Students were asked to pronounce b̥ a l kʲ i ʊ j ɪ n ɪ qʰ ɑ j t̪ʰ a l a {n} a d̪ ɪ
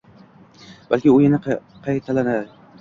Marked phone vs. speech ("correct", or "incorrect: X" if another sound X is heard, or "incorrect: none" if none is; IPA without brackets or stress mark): correct